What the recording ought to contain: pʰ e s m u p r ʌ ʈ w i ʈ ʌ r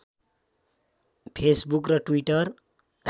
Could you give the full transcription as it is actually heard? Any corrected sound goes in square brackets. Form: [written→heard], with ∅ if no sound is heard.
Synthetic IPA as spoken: pʰ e s [m→b] u [p→k] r ʌ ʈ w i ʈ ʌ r